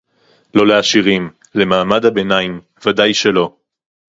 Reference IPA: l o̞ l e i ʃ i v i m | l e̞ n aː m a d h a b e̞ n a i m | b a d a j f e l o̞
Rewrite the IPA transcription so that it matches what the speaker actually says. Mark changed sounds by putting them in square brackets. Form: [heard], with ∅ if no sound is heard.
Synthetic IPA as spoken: l o̞ l e [a] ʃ i [ʁ] i m | l e̞ [m] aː m a d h a b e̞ n a i m | [v] a d a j [ʃ] e l o̞